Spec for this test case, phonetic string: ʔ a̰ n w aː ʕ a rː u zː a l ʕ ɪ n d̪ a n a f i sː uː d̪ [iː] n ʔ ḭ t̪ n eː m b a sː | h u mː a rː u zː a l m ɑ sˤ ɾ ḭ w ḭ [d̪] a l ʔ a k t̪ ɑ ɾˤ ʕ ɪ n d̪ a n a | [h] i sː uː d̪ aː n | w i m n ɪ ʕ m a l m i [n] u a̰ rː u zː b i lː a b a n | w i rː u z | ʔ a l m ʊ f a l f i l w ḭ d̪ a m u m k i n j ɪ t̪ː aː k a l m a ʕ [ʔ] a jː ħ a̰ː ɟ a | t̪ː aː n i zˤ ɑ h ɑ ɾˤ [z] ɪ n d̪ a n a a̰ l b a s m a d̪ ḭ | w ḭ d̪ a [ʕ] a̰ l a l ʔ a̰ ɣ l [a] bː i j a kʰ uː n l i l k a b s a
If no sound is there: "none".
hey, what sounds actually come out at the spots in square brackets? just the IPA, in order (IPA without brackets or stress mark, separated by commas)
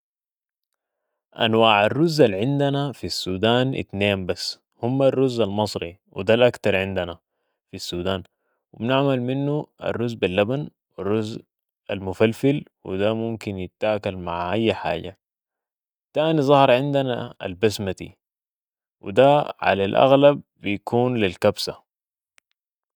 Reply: aː, d̪, f, nː, ʔ, ʕ, ʕ, a